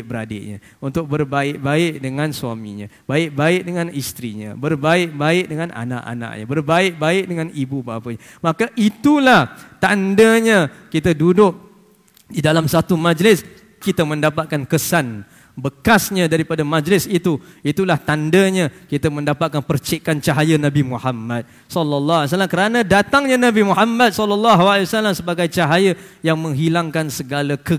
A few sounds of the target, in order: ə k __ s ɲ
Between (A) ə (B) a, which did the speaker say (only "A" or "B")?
B